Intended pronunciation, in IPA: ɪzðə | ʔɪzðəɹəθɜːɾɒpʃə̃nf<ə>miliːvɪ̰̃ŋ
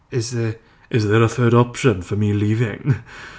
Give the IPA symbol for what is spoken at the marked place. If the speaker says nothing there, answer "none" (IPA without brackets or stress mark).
ə